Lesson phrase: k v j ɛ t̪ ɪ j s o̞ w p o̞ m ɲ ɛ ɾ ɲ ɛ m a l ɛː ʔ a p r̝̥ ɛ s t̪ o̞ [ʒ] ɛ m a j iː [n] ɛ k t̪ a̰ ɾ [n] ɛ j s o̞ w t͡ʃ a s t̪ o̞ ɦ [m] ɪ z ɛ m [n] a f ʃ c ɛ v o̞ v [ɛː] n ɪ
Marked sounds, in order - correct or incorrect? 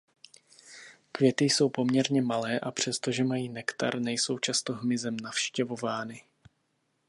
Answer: correct, correct, correct, correct, correct, incorrect

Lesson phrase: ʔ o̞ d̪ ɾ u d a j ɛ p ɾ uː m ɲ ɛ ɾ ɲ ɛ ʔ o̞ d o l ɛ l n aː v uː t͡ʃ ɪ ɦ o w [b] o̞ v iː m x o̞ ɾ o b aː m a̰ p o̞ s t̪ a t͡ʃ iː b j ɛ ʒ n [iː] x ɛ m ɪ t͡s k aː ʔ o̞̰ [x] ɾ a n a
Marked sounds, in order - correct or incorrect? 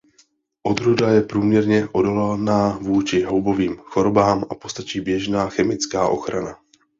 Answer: correct, incorrect, correct

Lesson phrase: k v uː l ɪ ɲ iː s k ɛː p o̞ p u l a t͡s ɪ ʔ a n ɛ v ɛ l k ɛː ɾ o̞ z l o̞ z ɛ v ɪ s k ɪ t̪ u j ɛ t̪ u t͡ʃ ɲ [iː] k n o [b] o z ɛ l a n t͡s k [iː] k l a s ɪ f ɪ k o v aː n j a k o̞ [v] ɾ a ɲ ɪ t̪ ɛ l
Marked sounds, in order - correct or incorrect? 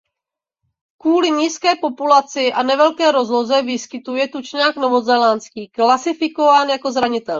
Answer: incorrect, incorrect, correct, incorrect

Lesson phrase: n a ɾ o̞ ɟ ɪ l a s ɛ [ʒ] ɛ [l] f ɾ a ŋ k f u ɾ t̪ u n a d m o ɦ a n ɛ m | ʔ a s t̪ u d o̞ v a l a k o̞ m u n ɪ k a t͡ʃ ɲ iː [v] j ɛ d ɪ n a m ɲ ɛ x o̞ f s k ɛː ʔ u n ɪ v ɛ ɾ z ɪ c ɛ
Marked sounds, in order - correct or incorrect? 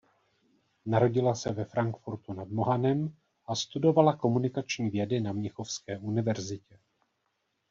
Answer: incorrect, incorrect, correct

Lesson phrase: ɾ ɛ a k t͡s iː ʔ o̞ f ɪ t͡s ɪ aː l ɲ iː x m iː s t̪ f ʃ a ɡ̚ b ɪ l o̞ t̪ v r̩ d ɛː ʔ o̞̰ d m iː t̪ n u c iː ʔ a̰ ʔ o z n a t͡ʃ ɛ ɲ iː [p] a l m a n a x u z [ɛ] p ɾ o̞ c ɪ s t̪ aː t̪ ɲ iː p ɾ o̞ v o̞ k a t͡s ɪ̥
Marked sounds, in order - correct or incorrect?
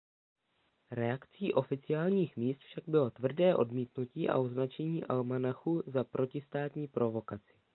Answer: incorrect, incorrect

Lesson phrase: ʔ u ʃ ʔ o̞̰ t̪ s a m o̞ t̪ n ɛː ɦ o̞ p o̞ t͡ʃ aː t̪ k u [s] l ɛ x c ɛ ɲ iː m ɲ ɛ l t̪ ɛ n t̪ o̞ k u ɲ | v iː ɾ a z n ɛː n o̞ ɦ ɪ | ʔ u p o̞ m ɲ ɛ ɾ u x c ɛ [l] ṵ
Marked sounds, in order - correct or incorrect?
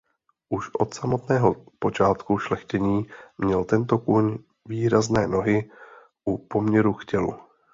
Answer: incorrect, correct

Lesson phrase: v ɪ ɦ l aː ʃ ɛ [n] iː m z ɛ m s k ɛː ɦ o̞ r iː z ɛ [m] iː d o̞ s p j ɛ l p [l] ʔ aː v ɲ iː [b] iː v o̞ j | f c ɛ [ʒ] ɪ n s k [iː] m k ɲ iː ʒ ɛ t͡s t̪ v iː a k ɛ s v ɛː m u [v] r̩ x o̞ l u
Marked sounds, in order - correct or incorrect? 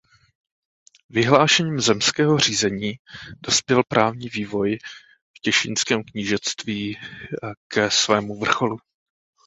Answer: incorrect, incorrect, incorrect, incorrect, incorrect, incorrect, correct

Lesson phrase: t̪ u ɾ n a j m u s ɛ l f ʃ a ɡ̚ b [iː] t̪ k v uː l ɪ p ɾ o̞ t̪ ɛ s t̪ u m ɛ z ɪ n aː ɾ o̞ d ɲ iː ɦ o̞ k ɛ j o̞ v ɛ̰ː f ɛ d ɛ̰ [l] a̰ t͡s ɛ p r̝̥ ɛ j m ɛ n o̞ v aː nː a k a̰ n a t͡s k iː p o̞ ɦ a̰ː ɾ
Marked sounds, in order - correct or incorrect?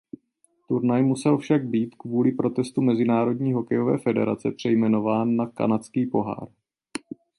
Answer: correct, incorrect

